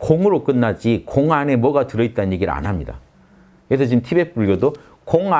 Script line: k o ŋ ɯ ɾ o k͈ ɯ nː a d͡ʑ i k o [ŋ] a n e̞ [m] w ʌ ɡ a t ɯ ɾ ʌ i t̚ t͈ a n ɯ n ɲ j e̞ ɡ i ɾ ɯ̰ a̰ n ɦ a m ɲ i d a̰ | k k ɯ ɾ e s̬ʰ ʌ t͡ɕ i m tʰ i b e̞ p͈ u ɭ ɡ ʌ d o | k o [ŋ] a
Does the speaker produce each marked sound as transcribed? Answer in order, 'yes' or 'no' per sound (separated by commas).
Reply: yes, yes, yes